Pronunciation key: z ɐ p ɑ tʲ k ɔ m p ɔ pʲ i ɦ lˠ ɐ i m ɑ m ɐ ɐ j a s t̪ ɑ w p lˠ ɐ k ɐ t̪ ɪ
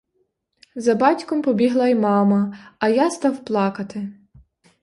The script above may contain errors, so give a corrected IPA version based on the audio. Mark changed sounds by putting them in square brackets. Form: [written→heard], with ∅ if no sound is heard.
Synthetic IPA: z ɐ [p→b] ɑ tʲ k ɔ m p ɔ [pʲ→bʲ] i ɦ lˠ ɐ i m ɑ m ɐ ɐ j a s t̪ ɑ w p lˠ [ɐ→ɑ] k ɐ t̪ ɪ